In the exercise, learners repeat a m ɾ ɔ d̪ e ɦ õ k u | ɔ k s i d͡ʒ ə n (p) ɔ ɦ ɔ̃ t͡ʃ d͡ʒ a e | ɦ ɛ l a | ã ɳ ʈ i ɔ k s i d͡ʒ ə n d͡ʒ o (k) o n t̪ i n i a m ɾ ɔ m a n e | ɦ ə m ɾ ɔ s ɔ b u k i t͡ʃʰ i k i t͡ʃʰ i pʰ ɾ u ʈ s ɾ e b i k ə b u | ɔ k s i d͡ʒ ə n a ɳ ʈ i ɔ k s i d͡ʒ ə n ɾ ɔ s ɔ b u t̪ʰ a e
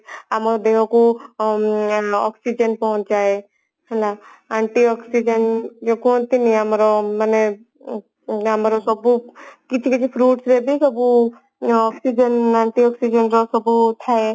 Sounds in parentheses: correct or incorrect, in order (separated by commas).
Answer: correct, correct